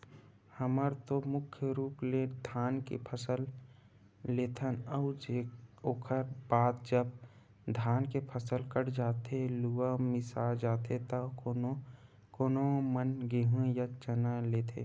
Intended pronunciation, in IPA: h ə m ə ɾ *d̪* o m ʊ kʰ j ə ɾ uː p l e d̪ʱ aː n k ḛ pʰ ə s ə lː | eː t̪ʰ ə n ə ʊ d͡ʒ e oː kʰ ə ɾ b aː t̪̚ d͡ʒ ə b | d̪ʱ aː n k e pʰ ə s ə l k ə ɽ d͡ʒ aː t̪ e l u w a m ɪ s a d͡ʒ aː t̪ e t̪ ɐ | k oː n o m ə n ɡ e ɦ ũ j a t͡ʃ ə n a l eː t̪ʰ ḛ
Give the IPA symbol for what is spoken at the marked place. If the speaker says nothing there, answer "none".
t̪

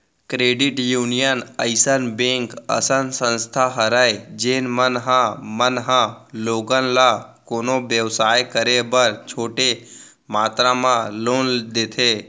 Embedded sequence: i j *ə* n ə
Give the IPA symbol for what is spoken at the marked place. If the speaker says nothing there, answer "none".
ə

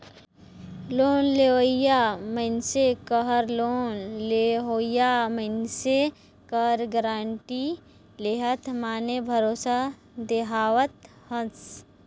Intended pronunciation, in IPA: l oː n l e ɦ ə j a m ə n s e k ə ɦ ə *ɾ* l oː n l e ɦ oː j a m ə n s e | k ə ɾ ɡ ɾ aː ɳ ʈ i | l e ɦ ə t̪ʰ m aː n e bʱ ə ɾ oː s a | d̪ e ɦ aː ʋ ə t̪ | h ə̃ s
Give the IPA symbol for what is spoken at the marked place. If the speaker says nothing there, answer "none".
ɾ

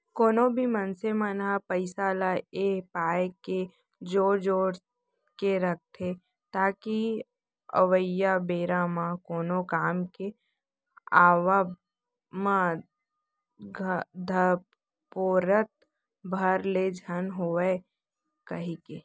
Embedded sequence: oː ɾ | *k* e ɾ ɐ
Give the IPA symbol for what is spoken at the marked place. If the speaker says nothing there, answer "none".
k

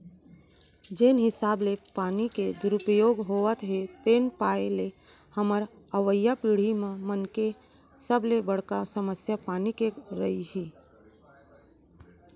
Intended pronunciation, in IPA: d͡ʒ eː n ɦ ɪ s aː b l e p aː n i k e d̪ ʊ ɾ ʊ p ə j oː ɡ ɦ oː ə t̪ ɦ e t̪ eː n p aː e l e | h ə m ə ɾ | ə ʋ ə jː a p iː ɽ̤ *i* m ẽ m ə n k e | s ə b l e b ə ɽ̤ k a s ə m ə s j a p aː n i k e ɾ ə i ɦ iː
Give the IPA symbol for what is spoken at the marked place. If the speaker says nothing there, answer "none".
i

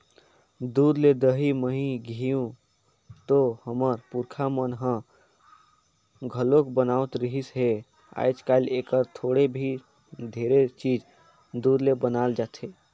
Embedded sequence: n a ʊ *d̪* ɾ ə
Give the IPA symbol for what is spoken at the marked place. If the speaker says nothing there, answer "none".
t̪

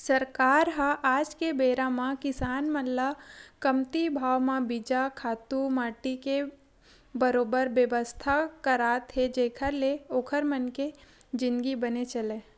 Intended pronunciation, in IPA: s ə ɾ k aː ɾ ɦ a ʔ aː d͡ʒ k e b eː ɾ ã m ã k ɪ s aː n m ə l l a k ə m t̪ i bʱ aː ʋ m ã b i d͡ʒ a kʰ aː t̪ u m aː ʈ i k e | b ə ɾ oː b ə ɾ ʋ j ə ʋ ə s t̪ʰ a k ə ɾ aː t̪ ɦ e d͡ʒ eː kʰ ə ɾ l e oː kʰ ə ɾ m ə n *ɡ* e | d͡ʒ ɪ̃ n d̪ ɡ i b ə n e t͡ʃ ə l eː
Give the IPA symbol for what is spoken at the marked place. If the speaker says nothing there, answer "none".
k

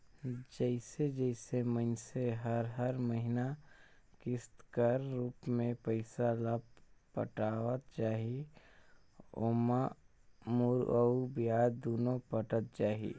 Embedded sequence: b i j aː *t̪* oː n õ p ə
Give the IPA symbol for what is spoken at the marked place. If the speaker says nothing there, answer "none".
d̪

